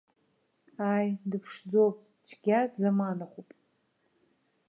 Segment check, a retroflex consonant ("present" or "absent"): present